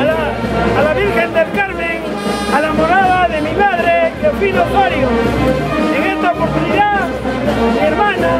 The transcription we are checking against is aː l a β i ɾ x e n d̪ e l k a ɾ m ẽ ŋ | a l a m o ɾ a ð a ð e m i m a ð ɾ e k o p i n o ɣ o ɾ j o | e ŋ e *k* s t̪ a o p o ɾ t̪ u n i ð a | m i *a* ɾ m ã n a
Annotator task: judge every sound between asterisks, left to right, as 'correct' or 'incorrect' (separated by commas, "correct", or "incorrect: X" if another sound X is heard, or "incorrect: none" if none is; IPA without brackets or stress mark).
incorrect: none, incorrect: e